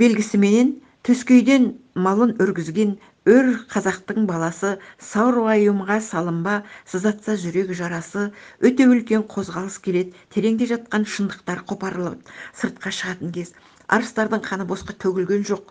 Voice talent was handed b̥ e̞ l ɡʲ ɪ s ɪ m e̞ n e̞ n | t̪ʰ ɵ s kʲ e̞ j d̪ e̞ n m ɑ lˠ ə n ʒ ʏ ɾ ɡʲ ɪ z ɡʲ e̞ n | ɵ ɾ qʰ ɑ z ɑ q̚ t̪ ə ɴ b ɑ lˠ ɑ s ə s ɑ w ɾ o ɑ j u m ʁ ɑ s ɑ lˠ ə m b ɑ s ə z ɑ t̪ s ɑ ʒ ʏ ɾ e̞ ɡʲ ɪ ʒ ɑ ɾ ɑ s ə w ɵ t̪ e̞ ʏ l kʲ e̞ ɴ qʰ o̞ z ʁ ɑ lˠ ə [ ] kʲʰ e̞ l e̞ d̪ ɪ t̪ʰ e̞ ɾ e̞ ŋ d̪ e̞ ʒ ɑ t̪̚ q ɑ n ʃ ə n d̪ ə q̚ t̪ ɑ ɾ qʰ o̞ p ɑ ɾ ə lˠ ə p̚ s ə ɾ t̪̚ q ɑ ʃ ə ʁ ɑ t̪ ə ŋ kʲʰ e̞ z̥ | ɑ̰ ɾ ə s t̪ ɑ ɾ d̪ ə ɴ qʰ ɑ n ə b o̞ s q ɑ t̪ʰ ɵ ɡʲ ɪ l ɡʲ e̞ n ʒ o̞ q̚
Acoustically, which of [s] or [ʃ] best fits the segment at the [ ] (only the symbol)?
s